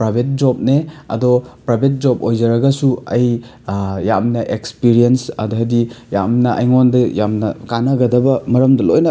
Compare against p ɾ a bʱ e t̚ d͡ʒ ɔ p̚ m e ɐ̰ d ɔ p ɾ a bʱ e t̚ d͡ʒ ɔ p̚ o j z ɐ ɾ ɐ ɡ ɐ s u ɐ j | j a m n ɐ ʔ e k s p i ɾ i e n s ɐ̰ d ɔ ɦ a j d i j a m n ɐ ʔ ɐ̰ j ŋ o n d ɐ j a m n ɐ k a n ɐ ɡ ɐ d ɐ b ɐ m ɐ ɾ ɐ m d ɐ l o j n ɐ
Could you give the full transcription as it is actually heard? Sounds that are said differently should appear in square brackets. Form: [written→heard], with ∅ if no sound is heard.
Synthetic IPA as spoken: p ɾ a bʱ e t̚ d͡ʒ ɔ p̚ [m→n] e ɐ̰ d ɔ p ɾ a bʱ e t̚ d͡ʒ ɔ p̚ o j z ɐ ɾ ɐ ɡ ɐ s u ɐ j | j a m n ɐ ʔ e k s p i ɾ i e n s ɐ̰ d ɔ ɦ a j d i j a m n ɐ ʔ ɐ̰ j ŋ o n d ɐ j a m n ɐ k a n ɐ ɡ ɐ d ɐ b ɐ m ɐ ɾ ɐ m d ɐ l o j n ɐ